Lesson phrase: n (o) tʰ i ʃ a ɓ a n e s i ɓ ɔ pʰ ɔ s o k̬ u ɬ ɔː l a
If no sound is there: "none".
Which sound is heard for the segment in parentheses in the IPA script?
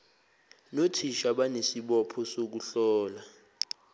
o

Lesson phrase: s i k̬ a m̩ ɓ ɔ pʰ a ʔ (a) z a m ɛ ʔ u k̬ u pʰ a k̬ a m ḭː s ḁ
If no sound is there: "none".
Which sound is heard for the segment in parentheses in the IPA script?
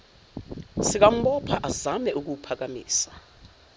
a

